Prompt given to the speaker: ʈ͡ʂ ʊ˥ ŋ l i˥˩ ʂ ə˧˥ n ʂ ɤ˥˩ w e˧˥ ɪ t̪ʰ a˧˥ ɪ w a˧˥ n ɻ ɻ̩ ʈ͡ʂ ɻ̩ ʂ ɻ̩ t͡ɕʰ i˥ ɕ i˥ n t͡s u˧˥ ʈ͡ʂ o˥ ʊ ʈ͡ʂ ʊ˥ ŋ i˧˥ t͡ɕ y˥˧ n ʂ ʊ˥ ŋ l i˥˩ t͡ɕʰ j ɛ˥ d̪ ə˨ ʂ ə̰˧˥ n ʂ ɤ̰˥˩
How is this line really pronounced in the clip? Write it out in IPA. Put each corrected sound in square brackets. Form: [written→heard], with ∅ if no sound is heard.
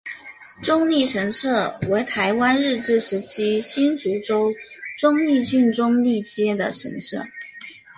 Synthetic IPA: ʈ͡ʂ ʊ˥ ŋ l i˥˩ ʂ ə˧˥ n ʂ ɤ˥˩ w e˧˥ ɪ t̪ʰ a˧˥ ɪ w [a˧˥→a˥] n ɻ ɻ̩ ʈ͡ʂ ɻ̩ ʂ ɻ̩ t͡ɕʰ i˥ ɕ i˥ n t͡s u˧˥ ʈ͡ʂ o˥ ʊ ʈ͡ʂ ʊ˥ ŋ [i˧˥→i˥˧] t͡ɕ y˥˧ n [ʂ→ʈ͡ʂ] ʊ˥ ŋ l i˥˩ [t͡ɕʰ→t͡ɕ] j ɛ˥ d̪ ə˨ ʂ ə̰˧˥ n ʂ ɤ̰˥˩